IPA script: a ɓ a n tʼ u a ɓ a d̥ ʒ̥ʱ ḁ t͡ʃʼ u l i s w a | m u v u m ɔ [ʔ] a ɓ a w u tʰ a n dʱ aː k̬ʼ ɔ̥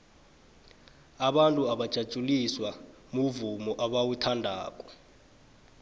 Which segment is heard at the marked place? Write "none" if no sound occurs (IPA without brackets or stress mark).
ʔ